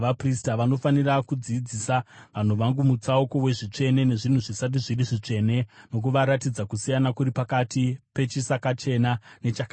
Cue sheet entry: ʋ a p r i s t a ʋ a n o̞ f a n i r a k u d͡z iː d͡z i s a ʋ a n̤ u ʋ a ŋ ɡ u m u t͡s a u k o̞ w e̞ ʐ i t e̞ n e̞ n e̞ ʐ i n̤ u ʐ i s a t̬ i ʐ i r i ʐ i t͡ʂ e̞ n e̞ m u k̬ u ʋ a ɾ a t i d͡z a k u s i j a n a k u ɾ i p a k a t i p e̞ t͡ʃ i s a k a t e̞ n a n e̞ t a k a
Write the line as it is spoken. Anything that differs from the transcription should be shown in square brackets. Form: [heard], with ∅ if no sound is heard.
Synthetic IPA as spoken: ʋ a p r i s t a ʋ a n o̞ f a n i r a k u d͡z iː d͡z i s a ʋ a n̤ u ʋ a ŋ ɡ u m u t͡s a u k o̞ w e̞ ʐ i [t͡ʂ] e̞ n e̞ n e̞ ʐ i n̤ u ʐ i s a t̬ i ʐ i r i ʐ i t͡ʂ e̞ n e̞ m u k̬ u ʋ a ɾ a t i d͡z a k u s i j a n a k u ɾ i p a k a t i p e̞ t͡ʃ i s a k a [t͡ʃ] e̞ n a n e̞ [t͡ʃ] a k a